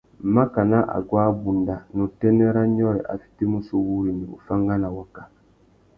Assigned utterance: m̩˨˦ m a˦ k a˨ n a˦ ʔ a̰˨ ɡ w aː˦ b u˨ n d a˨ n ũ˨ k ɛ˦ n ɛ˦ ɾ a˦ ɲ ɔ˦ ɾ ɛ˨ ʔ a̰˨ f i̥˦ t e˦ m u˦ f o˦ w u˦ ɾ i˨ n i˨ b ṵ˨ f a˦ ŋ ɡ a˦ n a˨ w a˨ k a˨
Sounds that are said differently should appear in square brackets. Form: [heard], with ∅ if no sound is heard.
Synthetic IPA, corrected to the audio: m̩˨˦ m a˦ k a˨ n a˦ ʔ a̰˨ ɡ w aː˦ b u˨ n d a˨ n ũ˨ [t] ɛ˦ n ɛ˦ ɾ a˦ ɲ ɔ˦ ɾ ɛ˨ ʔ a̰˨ f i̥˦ t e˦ m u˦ [s] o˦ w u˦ ɾ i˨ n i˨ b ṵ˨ f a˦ ŋ ɡ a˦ n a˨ w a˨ k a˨

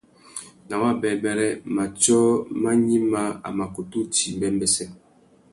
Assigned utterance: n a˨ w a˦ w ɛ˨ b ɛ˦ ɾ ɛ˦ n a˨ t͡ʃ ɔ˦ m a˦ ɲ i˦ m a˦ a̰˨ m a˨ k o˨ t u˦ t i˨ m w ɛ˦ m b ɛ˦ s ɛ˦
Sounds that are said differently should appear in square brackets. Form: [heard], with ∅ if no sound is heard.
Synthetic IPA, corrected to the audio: n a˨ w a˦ [b] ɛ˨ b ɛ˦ ɾ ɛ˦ [m] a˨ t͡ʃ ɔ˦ m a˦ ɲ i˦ m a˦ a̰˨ m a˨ k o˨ t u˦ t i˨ m [b] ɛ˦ m b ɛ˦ s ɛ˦

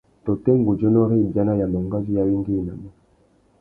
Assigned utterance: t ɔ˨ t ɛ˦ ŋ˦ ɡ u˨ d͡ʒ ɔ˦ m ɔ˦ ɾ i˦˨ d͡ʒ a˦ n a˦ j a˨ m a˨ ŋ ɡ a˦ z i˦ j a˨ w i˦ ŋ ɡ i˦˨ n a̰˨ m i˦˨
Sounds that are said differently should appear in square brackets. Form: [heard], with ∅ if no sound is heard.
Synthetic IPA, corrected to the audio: t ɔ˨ t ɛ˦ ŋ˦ ɡ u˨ d͡ʒ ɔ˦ [n] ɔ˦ ɾ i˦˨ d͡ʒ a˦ n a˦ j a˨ m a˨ ŋ ɡ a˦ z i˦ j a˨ w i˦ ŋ ɡ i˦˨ n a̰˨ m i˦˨

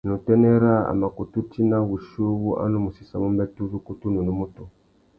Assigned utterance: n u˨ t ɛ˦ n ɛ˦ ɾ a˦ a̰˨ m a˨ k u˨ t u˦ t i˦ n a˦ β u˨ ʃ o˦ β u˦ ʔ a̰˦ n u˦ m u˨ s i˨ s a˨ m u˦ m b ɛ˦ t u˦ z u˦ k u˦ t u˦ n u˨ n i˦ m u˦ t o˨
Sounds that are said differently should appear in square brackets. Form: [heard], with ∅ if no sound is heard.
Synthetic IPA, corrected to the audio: n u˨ t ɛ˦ n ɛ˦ ɾ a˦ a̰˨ m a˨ k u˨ t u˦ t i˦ n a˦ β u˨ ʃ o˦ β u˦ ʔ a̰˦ n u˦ m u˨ s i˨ s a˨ m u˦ m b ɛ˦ t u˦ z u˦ k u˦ t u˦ n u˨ n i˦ m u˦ t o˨

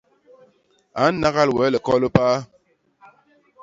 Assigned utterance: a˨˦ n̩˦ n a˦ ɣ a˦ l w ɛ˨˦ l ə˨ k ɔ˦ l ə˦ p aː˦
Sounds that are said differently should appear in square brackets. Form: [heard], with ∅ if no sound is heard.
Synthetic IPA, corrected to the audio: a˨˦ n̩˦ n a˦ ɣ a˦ l w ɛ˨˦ l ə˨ k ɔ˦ l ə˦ p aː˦

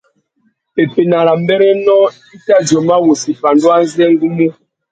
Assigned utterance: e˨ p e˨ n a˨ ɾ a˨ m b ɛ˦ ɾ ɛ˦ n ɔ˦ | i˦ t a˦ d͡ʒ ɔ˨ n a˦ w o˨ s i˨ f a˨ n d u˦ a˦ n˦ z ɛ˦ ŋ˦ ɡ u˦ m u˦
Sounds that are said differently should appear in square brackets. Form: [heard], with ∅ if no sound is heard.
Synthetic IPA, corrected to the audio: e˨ p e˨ n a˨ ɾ a˨ m b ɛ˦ ɾ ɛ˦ n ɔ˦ | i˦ t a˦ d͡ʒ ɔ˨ [m] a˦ w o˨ s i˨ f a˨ n d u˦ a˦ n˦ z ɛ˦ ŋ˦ ɡ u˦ m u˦

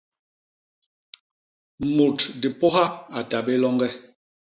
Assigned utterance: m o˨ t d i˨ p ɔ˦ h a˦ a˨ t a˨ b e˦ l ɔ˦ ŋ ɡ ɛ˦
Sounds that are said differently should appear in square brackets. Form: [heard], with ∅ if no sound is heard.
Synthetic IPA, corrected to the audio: m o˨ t d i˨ p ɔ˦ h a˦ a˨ t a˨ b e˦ l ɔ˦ ŋ ɡ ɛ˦

